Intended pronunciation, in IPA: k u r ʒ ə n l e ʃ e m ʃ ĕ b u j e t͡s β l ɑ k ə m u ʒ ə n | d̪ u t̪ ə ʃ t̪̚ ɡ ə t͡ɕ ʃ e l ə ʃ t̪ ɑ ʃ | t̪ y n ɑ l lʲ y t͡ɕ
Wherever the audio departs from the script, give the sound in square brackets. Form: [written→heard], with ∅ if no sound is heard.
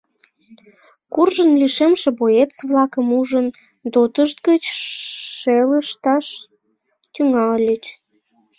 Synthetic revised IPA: k u r ʒ ə n l [e→i] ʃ e m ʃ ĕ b [u→o] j e t͡s β l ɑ k ə m u ʒ ə n | d̪ [u→o] t̪ ə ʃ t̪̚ ɡ ə t͡ɕ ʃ e l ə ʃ t̪ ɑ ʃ | t̪ y [n→ŋ] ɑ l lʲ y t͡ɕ